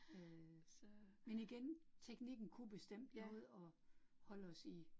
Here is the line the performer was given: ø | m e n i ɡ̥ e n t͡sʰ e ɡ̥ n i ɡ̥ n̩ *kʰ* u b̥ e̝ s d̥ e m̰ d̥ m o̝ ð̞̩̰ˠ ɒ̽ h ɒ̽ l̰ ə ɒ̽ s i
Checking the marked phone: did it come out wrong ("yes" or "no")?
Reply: no